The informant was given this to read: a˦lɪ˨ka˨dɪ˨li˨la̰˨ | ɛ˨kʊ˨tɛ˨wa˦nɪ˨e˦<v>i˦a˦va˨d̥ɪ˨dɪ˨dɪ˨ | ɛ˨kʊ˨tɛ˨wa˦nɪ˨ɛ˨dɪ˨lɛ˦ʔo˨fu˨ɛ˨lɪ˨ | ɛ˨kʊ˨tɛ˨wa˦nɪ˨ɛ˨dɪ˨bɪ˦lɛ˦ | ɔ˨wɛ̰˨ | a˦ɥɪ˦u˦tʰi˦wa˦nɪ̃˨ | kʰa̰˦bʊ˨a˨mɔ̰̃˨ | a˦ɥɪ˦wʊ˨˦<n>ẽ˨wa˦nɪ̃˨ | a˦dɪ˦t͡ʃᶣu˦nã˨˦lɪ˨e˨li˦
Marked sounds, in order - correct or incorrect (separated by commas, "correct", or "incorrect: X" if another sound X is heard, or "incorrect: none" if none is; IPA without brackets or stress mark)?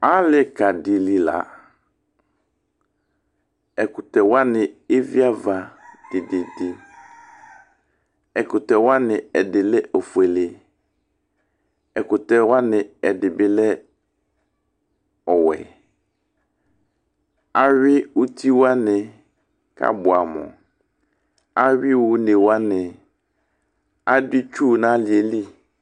correct, correct